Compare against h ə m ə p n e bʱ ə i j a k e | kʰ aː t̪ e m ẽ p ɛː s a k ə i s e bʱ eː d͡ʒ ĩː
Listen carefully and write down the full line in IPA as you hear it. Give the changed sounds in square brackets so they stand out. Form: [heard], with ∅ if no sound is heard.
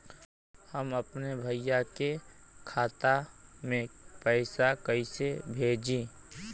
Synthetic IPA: h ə m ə p n e bʱ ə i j a k e | kʰ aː t̪ [a] m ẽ p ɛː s a k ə i s e bʱ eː d͡ʒ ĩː